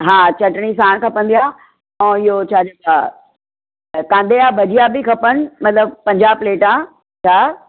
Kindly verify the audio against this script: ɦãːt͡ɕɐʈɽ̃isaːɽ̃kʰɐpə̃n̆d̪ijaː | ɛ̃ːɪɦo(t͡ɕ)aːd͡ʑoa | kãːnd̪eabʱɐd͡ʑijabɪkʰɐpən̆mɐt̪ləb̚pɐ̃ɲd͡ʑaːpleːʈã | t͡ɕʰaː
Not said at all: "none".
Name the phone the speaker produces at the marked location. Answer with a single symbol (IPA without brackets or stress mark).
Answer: t͡ɕʰ